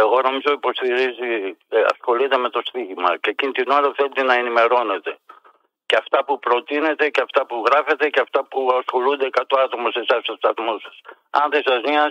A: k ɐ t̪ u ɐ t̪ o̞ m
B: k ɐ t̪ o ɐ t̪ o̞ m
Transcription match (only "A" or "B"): B